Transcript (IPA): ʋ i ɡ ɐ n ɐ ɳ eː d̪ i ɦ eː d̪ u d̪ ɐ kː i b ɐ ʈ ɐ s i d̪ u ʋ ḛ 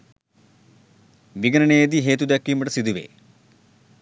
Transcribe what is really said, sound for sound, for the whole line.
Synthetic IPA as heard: ʋ i ɡ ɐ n ɐ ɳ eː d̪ i ɦ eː t̪ u d̪ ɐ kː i m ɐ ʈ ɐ s i d̪ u ʋ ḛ